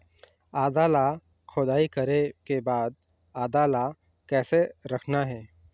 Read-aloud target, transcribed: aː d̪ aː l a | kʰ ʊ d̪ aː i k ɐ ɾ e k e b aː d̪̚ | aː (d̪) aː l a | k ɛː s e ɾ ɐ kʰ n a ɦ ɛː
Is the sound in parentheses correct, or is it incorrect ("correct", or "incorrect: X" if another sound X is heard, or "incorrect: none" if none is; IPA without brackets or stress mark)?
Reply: correct